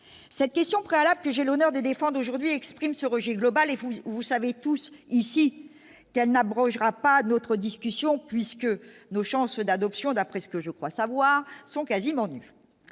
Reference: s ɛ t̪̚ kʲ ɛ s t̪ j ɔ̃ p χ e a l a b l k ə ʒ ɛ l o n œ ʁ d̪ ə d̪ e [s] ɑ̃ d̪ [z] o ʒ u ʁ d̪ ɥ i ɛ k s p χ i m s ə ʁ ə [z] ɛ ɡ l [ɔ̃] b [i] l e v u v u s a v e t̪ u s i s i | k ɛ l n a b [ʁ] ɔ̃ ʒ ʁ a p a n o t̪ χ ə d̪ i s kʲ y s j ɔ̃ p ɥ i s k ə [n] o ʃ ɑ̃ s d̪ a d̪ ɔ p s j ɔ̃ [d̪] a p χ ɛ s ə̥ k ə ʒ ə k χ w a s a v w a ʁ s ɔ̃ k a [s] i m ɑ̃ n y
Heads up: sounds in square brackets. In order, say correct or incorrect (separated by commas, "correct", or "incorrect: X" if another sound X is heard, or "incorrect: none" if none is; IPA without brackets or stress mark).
incorrect: f, incorrect: ʁ, incorrect: ʒ, incorrect: ɔ, incorrect: a, correct, correct, correct, incorrect: z